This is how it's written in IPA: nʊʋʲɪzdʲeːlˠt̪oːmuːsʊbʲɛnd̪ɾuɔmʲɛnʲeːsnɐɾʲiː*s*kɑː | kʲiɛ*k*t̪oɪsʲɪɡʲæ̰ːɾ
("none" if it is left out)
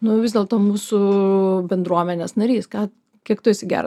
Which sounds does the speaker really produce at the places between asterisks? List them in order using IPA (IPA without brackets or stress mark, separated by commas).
s, k